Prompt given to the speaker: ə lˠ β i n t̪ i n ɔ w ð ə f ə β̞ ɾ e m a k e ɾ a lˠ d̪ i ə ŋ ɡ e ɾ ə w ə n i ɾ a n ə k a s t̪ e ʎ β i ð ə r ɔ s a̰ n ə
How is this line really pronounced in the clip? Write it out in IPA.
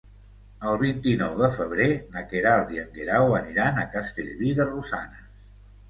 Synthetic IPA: ə lˠ β i n t̪ i n ɔ w ð ə f ə β̞ ɾ e n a k e ɾ a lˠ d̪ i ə ŋ ɡ e ɾ a w ə n i ɾ a n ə k a s t̪ e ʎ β i ð ə r u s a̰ n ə

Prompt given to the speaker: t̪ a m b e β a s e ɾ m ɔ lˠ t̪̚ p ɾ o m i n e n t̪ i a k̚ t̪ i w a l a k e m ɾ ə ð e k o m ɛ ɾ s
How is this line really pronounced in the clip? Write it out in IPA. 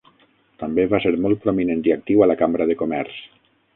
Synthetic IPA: t̪ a m b e β a s e ɾ m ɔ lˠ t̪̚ p ɾ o m i n e n t̪ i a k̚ t̪ i w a l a k a m ɾ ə ð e k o m ɛ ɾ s

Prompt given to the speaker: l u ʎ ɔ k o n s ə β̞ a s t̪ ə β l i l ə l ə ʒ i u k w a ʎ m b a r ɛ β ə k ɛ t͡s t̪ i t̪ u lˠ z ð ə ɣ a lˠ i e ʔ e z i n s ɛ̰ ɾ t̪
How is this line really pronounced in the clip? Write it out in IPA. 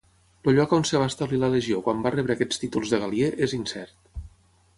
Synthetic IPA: l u ʎ ɔ k o n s ə β̞ a s t̪ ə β l i l ə l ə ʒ i o k w a m b a r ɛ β ə k ɛ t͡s t̪ i t̪ u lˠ z ð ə ɣ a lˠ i e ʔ e z i n s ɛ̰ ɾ t̪

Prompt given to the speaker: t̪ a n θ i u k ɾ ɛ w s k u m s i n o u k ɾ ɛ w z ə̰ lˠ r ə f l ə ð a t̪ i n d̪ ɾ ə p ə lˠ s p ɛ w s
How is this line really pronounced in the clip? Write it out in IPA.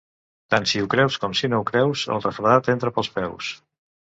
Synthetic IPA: t̪ a n s i u k ɾ ɛ w s k ɔ m s i n o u k ɾ ɛ w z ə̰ lˠ r ə f ɾ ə ð a t̪ e n t̪ ɾ ə p ə lˠ s p ɛ w s

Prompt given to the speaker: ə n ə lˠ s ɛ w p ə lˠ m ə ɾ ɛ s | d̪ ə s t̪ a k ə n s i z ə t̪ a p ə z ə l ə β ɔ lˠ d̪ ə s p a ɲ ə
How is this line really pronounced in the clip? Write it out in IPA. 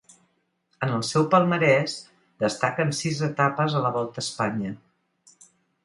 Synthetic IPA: ə n ə lˠ s ɛ w p ə lˠ m ə ɾ ɛ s | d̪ ə s t̪ a k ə n s i z ə t̪ a p ə z ə l ə β ɔ lˠ t̪ ə s p a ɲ ə

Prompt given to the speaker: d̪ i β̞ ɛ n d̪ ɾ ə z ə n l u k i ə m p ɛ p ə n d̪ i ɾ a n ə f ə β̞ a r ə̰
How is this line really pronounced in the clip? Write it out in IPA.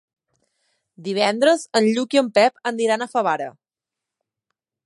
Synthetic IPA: d̪ i β̞ ɛ n d̪ ɾ ə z ə n ʎ u k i ə m p ɛ p ə n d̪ i ɾ a n ə f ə β̞ a ɾ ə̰

